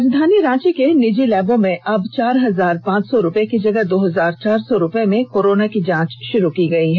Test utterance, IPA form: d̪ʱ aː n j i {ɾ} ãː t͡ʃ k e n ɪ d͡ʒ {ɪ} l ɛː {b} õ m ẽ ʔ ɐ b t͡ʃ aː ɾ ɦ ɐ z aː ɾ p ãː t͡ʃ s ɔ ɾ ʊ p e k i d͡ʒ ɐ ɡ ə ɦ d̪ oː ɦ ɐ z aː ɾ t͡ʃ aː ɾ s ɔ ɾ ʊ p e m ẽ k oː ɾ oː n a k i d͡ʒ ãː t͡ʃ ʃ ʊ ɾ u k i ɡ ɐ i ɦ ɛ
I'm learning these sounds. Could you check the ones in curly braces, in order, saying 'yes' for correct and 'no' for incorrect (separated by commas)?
yes, no, yes